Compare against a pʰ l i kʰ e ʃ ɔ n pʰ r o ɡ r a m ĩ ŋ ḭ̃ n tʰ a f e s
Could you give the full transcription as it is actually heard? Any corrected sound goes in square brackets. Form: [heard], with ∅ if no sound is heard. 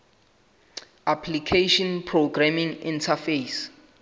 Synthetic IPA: a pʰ l i kʰ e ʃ ɔ n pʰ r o ɡ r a m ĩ ŋ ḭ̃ n tʰ a f e s

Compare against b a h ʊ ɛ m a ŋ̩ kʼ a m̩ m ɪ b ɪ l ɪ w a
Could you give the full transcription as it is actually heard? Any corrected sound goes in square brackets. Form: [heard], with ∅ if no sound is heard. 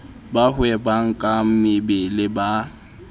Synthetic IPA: b a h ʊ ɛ [b] a ŋ̩ kʼ a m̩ m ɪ b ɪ l ɪ [b] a

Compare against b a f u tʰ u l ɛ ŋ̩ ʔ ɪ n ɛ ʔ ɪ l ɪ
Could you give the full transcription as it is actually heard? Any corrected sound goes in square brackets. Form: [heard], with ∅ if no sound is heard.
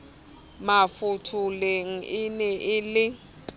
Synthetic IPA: [m] a f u tʰ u l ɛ ŋ̩ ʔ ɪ n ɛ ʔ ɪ l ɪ

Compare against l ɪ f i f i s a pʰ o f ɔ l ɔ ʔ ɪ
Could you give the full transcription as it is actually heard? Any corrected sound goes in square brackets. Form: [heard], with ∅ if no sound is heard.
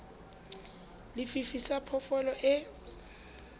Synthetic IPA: l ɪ f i f i s a pʰ [ɔ] f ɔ l ɔ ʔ ɪ

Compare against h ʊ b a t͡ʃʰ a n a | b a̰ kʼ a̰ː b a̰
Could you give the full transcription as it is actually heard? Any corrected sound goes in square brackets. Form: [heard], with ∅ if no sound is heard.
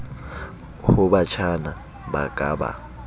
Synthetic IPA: h ʊ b a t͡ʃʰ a n a | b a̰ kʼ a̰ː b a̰

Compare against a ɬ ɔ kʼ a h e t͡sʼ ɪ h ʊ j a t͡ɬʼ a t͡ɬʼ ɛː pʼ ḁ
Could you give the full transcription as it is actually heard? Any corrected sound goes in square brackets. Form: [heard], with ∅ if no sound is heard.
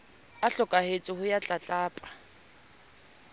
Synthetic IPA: a ɬ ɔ kʼ a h e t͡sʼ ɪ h ʊ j a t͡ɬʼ a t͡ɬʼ [aː] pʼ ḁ

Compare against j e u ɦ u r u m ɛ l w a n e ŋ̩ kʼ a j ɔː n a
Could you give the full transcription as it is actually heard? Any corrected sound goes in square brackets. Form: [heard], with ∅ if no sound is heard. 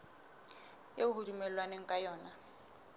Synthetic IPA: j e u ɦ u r u m ɛ l w a n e ŋ̩ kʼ a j ɔː n a

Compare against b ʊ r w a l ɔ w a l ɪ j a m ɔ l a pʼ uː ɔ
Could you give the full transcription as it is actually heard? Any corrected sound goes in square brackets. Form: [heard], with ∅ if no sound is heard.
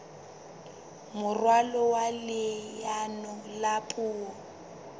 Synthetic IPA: [m] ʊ r w a l ɔ w a l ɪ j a [n] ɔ l a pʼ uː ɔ

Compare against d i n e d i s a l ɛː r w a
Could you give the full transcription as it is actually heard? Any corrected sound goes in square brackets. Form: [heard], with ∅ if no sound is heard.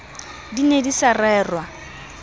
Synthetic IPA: d i n e d i s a [r] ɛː r w a

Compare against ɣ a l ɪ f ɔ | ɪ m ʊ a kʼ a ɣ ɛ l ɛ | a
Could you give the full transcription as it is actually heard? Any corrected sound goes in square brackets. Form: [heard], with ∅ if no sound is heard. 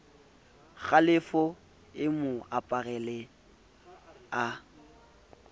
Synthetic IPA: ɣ a l ɪ f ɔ | ɪ m ʊ a [pʼ] a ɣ ɛ l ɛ | a

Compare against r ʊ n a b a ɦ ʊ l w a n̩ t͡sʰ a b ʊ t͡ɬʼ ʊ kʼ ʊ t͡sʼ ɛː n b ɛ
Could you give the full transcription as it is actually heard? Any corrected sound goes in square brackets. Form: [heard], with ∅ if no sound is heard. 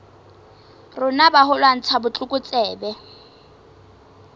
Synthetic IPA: r ʊ n a b a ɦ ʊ l w a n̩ t͡sʰ a b ʊ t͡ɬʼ ʊ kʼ ʊ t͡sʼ ɛː [∅] b ɛ

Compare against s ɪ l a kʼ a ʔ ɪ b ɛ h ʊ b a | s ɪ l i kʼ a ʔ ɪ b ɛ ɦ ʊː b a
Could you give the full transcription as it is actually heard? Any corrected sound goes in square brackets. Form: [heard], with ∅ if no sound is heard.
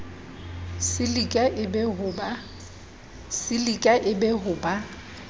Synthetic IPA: s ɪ l [i] kʼ a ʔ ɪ b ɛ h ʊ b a | s ɪ l i kʼ a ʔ ɪ b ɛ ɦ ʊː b a

